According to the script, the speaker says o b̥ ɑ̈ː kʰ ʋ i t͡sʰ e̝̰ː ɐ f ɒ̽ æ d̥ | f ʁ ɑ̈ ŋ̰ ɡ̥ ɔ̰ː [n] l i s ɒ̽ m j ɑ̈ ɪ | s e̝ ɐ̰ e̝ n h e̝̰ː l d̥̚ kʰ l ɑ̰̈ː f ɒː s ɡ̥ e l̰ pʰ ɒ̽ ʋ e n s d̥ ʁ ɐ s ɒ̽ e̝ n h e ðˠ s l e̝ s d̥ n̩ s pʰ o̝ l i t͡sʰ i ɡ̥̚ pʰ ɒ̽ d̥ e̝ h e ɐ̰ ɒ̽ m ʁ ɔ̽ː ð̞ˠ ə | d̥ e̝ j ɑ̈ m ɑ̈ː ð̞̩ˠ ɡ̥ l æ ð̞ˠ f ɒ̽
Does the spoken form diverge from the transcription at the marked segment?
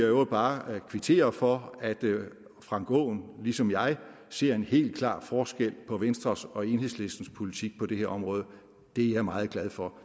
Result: no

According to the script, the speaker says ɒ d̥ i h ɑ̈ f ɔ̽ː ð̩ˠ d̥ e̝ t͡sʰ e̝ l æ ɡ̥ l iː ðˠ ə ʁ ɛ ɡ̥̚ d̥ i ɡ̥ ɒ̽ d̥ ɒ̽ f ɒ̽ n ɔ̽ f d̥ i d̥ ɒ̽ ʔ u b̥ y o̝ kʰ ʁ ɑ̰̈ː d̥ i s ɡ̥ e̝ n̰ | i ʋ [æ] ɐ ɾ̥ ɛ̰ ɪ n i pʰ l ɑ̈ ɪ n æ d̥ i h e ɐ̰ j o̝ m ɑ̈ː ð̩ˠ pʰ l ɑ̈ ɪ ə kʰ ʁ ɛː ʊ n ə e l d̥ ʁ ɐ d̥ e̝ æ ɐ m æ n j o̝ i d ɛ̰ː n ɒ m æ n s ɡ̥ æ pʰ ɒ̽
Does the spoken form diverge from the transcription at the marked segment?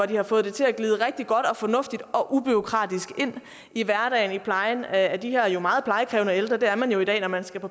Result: no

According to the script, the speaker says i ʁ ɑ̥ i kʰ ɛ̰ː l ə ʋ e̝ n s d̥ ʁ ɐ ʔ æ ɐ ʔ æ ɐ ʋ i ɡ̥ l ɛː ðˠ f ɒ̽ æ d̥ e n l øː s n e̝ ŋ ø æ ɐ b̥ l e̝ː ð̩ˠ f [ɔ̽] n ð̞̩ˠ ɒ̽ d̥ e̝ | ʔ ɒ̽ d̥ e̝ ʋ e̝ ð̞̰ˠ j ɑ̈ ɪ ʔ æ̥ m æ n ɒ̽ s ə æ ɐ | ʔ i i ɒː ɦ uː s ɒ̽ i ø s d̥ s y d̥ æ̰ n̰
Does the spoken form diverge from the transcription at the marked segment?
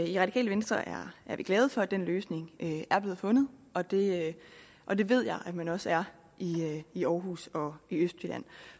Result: no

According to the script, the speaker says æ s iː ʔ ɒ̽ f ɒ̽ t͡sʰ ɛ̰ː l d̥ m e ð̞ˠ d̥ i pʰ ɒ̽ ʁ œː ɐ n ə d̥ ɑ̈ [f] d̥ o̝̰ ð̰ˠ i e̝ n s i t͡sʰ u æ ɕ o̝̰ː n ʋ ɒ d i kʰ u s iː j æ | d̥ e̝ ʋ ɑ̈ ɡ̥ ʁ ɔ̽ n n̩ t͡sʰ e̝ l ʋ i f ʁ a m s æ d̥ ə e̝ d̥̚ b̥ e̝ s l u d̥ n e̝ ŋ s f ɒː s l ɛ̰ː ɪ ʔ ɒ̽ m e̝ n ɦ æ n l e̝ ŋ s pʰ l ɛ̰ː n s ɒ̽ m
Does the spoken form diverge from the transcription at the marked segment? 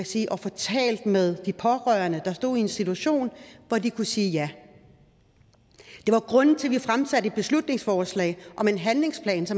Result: yes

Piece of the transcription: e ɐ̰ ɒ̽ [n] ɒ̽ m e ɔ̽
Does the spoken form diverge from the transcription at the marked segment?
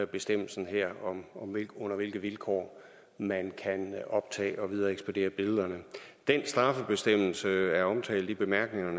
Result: yes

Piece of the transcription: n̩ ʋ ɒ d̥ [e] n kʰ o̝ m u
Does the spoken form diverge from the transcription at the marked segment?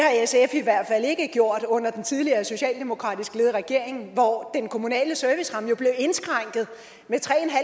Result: no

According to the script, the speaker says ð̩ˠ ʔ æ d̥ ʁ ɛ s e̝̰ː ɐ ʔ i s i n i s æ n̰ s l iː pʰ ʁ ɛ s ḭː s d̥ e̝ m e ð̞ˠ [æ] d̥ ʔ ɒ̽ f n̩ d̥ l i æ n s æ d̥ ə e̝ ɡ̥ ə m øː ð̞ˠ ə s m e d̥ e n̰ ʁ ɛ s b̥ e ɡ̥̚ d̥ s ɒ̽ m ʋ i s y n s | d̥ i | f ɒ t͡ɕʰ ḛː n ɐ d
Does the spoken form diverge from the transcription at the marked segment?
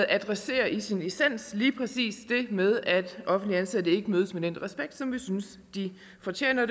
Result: no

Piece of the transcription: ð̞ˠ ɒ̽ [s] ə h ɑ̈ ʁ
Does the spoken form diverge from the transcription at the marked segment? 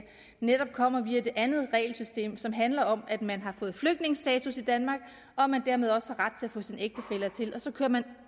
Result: no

